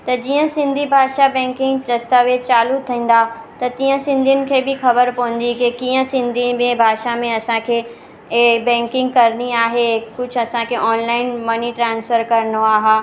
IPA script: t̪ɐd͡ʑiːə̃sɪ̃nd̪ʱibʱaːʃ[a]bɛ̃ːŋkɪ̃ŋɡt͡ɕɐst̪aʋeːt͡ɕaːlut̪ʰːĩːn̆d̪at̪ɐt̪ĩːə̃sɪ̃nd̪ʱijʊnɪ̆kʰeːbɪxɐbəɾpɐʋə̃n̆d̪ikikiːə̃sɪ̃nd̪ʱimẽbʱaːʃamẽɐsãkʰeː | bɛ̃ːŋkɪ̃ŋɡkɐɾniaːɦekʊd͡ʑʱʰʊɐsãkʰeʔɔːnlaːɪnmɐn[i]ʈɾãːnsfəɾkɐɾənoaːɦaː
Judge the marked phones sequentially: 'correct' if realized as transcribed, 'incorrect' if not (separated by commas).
correct, correct